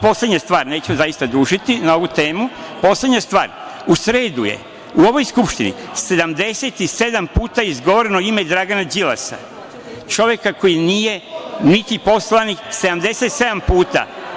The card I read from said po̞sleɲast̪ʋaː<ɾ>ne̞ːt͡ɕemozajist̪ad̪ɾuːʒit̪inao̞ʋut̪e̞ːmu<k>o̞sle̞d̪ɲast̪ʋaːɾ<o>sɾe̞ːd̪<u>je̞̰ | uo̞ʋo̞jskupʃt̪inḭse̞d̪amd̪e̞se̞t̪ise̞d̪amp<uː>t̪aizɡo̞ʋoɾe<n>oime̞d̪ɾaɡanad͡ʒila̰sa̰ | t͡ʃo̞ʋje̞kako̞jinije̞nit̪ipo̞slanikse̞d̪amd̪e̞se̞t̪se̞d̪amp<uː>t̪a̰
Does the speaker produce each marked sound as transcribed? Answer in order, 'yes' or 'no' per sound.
yes, no, no, yes, yes, yes, yes

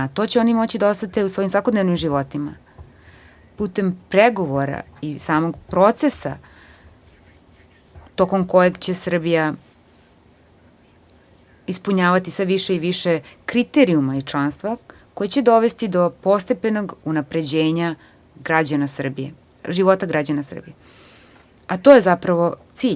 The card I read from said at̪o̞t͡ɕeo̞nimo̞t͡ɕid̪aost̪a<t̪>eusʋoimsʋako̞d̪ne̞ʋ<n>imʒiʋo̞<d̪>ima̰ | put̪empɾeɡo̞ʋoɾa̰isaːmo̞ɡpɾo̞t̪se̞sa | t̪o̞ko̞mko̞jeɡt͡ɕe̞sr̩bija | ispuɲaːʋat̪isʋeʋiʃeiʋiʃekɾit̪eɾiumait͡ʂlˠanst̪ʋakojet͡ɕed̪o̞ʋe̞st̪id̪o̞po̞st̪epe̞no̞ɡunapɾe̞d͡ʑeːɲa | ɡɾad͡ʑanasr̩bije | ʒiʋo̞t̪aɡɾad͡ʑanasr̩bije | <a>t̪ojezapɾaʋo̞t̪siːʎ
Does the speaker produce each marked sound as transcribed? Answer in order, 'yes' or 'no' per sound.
yes, yes, no, yes

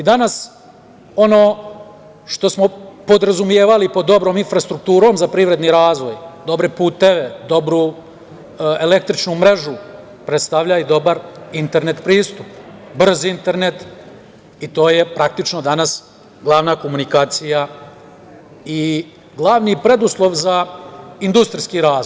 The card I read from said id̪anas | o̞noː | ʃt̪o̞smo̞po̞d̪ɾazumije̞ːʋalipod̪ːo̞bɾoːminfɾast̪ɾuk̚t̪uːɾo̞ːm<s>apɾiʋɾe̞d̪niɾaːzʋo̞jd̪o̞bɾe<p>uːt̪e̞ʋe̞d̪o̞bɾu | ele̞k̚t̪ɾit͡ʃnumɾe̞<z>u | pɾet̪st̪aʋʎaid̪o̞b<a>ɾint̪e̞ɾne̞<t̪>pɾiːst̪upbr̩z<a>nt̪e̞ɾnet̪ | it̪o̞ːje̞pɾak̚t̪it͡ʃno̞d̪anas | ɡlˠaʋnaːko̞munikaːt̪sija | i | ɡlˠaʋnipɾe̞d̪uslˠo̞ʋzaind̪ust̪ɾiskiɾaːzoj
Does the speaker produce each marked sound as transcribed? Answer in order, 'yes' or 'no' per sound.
no, yes, no, yes, yes, no

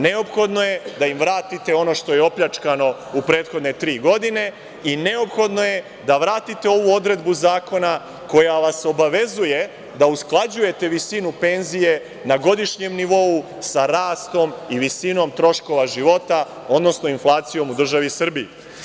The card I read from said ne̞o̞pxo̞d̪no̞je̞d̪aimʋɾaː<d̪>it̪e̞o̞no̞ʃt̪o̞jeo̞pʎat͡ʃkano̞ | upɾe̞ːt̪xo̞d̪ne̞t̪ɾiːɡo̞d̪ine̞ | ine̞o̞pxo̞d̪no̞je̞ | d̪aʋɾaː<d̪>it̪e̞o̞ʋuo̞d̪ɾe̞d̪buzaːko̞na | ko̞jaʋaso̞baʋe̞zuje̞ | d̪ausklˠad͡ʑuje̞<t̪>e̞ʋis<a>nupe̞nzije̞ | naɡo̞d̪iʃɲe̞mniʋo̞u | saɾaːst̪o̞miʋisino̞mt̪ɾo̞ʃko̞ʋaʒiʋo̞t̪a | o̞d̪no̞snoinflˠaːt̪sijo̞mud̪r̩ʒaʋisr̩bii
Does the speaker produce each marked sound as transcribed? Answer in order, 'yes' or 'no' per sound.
no, no, yes, no

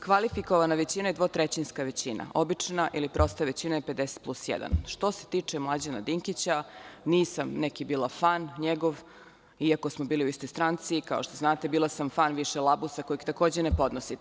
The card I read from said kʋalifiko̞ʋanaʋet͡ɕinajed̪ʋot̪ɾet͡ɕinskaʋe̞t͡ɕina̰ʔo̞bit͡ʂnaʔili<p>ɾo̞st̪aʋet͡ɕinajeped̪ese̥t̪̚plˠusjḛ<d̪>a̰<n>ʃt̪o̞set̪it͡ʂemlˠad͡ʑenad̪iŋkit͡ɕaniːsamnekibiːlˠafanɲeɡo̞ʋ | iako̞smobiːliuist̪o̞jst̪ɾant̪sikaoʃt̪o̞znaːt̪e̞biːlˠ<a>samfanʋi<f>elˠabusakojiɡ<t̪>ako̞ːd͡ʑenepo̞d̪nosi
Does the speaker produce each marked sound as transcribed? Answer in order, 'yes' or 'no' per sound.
yes, yes, yes, yes, no, yes

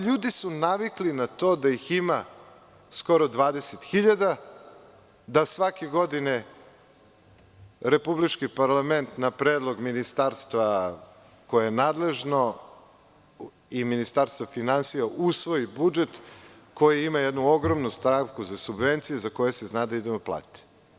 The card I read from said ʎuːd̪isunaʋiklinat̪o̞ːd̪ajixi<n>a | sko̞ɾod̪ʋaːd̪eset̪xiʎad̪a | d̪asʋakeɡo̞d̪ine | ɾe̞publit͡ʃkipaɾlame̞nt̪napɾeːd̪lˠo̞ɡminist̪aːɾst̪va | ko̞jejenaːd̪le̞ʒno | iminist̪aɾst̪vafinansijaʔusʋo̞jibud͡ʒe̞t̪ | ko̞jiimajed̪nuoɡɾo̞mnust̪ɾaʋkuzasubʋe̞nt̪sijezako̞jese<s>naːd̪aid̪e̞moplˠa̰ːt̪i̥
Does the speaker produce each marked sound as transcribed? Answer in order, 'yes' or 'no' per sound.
no, no

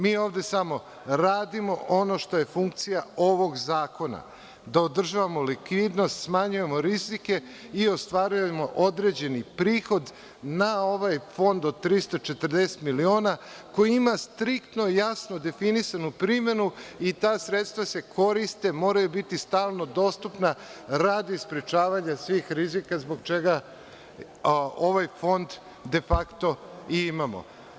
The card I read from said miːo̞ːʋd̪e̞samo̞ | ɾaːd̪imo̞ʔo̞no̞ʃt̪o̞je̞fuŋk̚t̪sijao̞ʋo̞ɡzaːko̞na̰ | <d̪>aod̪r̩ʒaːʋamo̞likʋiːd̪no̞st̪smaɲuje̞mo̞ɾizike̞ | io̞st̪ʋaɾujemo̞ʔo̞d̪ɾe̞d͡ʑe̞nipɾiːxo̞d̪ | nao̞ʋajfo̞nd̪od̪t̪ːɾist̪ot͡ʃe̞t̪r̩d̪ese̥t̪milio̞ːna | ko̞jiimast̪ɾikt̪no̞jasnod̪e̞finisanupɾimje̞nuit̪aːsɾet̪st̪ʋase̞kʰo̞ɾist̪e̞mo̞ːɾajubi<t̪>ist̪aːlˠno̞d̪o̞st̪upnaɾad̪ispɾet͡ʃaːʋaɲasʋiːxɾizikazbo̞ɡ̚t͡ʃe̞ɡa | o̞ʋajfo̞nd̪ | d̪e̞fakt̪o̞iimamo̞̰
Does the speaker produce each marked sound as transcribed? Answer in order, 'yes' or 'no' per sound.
yes, yes

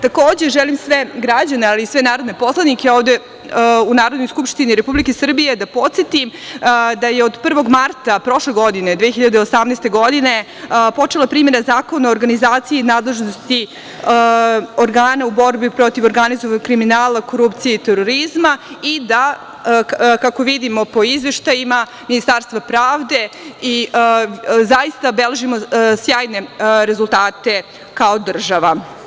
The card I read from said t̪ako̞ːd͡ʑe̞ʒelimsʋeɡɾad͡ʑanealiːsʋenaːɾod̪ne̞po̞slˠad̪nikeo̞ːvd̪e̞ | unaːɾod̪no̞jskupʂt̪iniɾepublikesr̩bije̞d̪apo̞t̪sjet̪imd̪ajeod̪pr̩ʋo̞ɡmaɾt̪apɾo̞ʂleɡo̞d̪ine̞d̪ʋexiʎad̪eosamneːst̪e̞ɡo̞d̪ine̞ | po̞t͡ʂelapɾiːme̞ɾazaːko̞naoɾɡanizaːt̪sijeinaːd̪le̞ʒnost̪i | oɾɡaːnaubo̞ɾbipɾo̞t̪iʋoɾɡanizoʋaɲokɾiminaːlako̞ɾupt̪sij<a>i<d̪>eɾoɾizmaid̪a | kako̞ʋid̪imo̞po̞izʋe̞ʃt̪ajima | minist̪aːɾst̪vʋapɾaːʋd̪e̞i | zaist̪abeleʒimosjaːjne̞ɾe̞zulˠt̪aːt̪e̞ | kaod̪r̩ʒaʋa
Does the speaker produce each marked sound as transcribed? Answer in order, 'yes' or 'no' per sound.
no, no

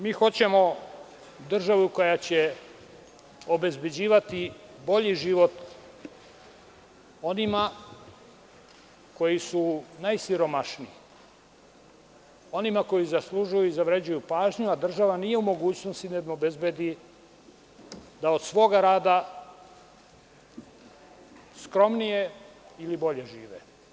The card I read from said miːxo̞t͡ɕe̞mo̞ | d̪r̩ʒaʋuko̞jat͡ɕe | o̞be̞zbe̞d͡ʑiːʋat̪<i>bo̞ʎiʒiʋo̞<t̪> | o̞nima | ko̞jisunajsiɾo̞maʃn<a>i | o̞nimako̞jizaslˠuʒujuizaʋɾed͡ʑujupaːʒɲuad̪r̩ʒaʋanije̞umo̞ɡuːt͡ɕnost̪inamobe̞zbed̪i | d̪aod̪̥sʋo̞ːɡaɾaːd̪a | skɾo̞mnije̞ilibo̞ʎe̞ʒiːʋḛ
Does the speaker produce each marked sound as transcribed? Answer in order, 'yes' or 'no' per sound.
yes, yes, no

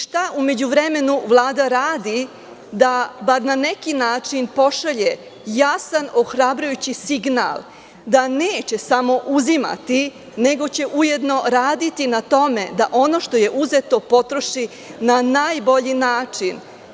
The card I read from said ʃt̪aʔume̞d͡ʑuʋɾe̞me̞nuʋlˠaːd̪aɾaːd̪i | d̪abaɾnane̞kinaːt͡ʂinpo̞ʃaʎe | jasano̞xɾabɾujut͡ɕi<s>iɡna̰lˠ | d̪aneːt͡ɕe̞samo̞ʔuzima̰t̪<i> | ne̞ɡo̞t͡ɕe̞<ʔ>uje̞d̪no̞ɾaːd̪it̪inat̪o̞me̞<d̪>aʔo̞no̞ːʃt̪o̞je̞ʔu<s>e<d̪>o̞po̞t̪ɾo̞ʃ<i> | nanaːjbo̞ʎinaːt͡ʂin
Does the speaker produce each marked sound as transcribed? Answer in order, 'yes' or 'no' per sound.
yes, yes, yes, yes, no, no, yes

